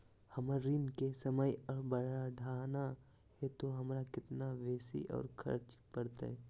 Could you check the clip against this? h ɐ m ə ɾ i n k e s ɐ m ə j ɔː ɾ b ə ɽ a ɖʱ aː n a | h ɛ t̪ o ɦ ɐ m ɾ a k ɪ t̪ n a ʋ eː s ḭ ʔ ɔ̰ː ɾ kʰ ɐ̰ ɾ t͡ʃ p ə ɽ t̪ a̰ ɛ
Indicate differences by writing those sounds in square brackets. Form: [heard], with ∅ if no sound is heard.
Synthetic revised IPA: h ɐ m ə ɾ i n k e s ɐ m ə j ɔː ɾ b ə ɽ a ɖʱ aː n a | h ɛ t̪ o ɦ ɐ m ɾ a k ɪ t̪ n a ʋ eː s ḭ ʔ ɔ̰ː ɾ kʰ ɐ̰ ɾ t͡ʃ p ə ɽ t̪ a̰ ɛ